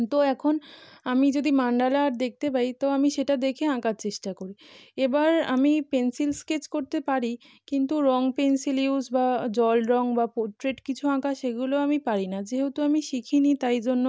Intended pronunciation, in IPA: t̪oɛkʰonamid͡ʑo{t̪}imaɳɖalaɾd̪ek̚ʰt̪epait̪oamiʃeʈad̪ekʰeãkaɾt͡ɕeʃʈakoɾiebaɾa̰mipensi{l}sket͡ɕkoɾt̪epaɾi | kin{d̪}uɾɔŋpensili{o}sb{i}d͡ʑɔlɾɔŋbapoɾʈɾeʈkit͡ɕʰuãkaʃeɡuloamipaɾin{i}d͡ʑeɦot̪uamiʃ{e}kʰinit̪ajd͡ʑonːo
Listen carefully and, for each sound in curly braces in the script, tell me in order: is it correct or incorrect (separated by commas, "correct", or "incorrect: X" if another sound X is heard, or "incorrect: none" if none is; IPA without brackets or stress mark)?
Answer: incorrect: d̪, correct, incorrect: t̪, incorrect: u, incorrect: a, incorrect: a, incorrect: i